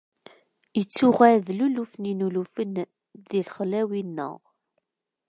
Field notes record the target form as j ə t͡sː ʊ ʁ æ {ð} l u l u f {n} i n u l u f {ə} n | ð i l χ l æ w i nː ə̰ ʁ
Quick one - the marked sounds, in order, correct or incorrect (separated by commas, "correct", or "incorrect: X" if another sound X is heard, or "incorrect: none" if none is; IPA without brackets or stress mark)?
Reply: correct, correct, correct